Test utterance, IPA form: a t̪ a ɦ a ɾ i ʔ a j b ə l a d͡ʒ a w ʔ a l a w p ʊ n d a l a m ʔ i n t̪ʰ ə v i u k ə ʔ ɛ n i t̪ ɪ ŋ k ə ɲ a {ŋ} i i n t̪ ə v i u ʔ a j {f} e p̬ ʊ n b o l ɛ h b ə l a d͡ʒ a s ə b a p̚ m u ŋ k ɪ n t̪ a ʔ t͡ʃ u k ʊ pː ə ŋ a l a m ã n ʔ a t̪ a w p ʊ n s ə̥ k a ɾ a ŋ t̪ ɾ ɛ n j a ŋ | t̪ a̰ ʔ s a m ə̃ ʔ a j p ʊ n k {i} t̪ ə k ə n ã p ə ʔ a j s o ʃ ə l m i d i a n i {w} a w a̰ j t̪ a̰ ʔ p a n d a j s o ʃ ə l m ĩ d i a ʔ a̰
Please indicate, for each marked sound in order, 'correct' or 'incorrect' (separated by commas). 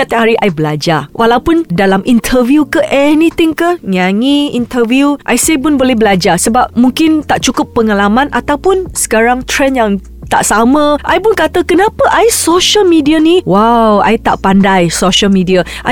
correct, incorrect, incorrect, correct